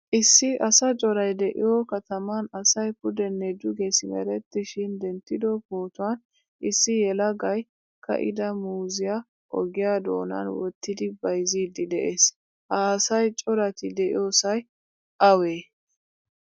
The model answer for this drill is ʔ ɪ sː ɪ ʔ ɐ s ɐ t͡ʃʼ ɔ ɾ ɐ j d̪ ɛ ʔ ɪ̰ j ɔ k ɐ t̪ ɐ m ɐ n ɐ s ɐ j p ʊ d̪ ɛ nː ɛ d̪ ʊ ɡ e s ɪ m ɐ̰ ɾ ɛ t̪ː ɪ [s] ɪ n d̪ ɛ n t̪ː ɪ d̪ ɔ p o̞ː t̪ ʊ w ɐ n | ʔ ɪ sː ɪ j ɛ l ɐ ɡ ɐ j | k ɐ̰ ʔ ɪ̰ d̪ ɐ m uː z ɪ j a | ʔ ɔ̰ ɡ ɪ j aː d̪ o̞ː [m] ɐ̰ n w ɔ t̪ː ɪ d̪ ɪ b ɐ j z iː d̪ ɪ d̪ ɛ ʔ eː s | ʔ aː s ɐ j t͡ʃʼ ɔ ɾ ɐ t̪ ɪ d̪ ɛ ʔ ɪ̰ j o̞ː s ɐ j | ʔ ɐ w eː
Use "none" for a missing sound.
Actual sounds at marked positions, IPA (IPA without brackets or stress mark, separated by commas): ʃ, n